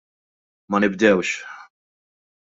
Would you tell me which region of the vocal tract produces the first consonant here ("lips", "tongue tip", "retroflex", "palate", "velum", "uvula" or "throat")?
lips